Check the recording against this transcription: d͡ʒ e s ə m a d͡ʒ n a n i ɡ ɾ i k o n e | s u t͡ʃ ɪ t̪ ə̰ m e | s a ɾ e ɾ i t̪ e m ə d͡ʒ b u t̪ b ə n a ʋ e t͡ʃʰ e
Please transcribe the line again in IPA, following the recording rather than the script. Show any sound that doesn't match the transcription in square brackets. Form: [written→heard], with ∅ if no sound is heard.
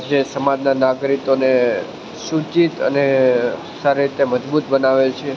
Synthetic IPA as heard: d͡ʒ e s ə m a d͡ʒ n a n [i→a] ɡ ɾ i k o n e | s u t͡ʃ [ɪ→i] t̪ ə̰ [m→n] e | s a ɾ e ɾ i t̪ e m ə d͡ʒ b u t̪ b ə n a ʋ e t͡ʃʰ e